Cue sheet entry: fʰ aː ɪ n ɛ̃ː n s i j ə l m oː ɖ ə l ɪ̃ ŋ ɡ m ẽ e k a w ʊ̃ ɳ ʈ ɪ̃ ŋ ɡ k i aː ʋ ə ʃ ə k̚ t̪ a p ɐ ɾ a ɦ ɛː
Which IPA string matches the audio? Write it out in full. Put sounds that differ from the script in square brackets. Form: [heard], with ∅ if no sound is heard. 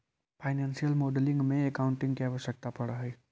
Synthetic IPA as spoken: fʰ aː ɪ n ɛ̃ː n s i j ə l m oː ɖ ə l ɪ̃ ŋ ɡ m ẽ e k a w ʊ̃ ɳ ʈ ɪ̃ ŋ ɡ k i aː ʋ ə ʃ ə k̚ t̪ a p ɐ [ɽ] a ɦ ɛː